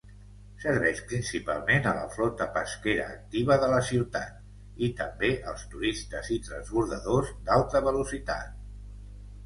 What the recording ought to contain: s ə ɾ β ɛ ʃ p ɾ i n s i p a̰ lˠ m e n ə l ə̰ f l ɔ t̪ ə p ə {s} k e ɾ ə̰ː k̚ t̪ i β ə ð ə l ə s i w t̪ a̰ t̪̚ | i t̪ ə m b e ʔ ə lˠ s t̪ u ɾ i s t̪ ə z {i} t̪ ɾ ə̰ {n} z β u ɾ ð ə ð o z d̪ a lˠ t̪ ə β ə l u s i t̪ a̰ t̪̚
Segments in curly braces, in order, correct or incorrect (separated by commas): correct, correct, correct